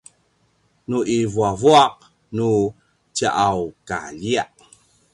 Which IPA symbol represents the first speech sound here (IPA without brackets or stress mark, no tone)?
n